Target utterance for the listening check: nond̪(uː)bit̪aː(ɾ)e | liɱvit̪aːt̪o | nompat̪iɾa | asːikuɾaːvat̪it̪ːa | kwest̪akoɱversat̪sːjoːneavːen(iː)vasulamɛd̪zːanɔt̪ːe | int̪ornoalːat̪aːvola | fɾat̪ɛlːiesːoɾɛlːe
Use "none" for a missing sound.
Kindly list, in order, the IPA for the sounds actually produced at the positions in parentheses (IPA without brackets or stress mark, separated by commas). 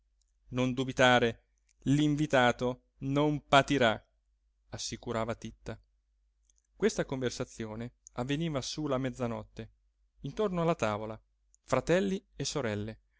u, ɾ, iː